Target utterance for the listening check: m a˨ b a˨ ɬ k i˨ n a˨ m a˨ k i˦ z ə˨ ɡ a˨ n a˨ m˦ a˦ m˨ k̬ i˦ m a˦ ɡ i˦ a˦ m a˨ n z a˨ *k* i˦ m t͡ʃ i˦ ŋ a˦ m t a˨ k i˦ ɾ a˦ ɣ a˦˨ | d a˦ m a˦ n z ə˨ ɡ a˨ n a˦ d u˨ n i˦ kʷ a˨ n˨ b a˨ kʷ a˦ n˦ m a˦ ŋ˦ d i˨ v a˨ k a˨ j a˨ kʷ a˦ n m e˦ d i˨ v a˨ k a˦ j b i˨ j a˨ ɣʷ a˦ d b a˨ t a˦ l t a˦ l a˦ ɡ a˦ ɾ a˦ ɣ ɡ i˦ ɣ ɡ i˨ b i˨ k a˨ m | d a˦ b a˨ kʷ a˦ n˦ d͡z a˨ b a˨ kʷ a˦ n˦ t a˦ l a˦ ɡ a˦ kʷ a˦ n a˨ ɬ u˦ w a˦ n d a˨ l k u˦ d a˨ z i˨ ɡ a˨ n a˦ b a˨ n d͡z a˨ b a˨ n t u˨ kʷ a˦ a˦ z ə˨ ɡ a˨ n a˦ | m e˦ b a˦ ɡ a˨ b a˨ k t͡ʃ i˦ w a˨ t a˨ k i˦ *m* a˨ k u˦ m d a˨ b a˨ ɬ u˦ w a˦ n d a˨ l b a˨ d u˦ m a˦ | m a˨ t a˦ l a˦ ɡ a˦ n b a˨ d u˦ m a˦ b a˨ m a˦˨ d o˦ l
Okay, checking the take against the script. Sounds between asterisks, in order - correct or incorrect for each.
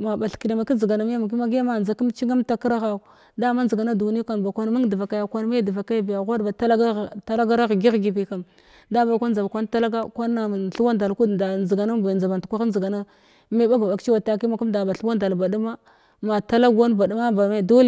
correct, correct

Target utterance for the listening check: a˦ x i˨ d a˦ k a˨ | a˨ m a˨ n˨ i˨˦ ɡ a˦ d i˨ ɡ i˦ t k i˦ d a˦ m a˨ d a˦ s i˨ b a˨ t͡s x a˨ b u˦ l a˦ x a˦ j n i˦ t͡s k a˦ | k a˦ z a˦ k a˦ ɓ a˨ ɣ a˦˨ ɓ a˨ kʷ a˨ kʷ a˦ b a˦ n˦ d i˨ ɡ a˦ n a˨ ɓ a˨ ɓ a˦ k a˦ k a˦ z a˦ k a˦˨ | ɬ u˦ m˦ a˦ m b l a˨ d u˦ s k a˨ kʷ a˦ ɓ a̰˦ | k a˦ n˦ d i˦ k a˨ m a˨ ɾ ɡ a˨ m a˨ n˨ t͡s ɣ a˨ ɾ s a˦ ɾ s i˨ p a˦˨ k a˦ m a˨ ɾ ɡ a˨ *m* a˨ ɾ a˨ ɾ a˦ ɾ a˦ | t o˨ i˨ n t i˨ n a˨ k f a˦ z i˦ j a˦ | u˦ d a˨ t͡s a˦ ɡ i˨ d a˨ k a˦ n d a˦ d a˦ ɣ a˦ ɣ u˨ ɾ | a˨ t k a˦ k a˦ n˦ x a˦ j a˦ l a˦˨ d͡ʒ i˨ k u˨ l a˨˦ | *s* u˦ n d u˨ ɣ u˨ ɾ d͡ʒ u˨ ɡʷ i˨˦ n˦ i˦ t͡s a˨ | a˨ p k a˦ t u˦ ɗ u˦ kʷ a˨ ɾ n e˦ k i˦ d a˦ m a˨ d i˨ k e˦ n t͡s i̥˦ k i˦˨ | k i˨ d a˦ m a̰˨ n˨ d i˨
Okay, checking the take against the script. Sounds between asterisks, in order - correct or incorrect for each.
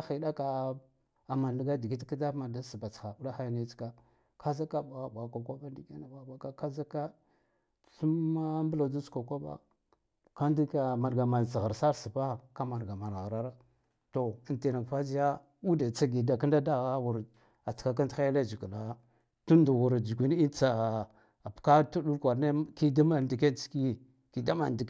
correct, incorrect

